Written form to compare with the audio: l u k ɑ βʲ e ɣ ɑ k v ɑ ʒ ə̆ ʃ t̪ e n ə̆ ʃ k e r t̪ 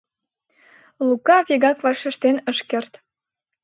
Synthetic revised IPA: l u k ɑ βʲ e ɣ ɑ k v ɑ ʃ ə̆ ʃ t̪ e n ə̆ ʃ k e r t̪